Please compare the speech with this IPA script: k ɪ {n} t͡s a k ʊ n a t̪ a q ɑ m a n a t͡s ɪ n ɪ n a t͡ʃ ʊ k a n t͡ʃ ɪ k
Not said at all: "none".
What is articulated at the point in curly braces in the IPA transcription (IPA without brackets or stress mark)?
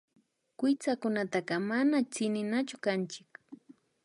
none